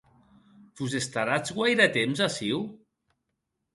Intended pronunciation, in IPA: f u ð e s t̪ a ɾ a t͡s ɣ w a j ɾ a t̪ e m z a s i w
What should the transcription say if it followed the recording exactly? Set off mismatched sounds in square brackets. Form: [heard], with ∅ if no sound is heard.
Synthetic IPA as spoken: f u [z] e s t̪ a ɾ a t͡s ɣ w a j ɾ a t̪ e m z a s i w

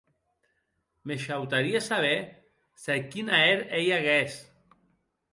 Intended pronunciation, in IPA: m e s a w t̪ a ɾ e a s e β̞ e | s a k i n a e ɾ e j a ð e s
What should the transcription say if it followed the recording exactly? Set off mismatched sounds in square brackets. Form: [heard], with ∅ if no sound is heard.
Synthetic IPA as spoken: m e [ʃ] a w t̪ a ɾ [i] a s [a] β̞ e | s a k i n a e ɾ e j a [ɣ] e s

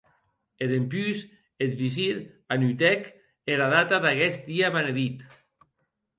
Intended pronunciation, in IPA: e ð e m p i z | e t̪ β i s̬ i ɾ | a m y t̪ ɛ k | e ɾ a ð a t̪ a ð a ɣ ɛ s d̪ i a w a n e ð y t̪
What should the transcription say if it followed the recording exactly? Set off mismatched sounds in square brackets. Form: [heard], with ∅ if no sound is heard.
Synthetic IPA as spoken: e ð e m p [y] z | e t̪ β i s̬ i ɾ | a [n] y t̪ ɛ k | e ɾ a ð a t̪ a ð a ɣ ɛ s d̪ i a [β] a n e ð [i] t̪

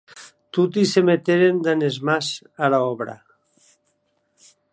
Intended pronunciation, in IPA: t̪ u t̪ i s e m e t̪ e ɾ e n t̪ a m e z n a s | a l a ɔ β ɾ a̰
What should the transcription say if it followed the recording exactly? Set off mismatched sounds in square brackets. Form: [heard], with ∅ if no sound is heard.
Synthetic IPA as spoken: t̪ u t̪ i s e m e t̪ e ɾ e n [d̪] a [n] e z [m] a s | a l a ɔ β ɾ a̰

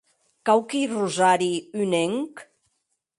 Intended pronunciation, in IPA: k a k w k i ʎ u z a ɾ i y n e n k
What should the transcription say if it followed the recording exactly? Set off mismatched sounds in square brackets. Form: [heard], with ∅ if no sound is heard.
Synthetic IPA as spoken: k a [∅] w k i [r] u z a ɾ i y n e [ŋ] k

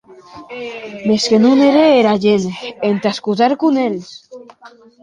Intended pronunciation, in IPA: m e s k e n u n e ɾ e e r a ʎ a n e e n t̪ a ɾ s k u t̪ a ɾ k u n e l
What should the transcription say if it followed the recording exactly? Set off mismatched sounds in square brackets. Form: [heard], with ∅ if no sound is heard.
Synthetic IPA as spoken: m e s k e n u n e ɾ e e [ɾ] a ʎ [e] n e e n t̪ a [∅] s k u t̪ a ɾ k u n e l

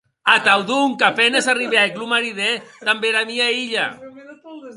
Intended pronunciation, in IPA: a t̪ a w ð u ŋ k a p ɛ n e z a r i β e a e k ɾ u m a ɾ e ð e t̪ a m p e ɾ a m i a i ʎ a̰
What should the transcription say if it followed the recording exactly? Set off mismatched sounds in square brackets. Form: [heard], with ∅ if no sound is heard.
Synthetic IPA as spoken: a t̪ a w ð u ŋ k a p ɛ n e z a r i β e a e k [l] u m a ɾ [i] ð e t̪ a m [b] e ɾ a m i a i ʎ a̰

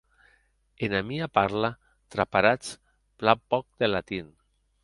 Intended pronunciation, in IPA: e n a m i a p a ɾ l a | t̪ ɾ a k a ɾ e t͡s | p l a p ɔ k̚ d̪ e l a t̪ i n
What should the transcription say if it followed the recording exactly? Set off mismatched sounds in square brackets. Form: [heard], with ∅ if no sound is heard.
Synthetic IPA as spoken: e n a m i a p a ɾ l a | t̪ ɾ a [p] a ɾ [a] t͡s | p l a p ɔ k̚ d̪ e l a t̪ i n

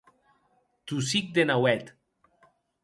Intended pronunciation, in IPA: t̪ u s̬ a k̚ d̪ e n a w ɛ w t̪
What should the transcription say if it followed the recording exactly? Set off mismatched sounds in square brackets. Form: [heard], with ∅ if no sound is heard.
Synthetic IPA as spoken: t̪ u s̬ [i] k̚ d̪ e n a w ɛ [∅] t̪

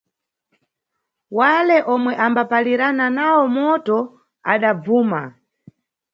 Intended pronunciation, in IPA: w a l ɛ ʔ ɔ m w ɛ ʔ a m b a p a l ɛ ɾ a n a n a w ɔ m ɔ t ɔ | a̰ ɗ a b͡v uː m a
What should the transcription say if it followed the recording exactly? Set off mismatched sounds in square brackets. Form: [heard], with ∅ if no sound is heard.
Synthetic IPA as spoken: w a l ɛ ʔ ɔ m w ɛ ʔ a m b a p a l [i] ɾ a n a n a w ɔ m ɔ t ɔ | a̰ ɗ a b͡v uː m a

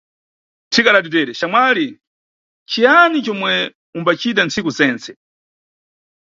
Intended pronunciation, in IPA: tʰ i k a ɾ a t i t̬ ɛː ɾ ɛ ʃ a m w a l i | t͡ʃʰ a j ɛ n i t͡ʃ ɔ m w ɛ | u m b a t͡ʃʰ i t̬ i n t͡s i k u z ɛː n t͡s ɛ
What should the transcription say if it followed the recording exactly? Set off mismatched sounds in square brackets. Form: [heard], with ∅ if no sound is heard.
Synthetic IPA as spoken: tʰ i k a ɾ a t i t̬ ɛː ɾ ɛ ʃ a m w a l i | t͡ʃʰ [i] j [a] n i t͡ʃ ɔ m w ɛ | u m b a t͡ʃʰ i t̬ [a] n t͡s i k u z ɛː n t͡s ɛ

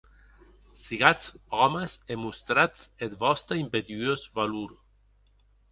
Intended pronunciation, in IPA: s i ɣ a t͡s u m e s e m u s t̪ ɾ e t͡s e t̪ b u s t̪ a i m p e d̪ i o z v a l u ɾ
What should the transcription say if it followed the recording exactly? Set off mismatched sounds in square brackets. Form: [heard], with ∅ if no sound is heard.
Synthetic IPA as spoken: s i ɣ a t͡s [ɔ] m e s e m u s t̪ ɾ [a] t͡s e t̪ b [ɔ] s t̪ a i m p e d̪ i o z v a l u ɾ

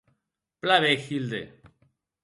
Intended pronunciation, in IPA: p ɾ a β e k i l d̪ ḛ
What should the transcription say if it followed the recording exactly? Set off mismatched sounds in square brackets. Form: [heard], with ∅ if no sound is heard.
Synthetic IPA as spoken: p [l] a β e [x] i l d̪ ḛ

